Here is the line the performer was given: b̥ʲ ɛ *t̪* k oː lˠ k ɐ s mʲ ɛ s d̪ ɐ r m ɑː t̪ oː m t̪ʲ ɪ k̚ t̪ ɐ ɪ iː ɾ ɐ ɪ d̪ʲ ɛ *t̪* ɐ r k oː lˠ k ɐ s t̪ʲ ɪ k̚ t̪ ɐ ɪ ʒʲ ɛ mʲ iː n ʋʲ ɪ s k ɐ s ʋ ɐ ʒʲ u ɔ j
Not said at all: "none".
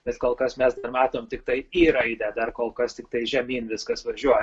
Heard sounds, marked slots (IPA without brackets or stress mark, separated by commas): t̪, d̪